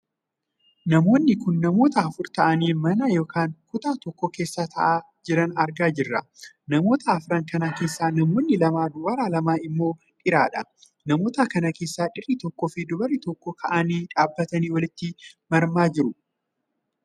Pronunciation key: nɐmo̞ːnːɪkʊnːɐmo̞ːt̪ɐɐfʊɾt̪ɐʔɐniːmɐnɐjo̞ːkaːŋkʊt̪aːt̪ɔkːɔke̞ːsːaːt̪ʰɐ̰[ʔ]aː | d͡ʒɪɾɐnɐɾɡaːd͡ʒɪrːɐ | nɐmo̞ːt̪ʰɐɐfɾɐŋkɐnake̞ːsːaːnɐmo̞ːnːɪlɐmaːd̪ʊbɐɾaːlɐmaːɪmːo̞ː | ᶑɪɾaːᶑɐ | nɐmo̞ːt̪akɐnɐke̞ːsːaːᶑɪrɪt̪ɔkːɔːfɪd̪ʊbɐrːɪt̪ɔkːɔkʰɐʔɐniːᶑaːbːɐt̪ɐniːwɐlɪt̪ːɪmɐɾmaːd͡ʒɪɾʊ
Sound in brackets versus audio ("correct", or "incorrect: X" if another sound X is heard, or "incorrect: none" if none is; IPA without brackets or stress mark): correct